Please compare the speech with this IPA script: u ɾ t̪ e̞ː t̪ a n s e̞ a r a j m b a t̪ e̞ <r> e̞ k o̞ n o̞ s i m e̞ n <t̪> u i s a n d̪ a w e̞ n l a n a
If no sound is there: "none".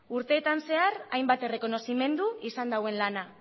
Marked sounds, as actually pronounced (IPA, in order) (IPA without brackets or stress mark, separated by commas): r, d̪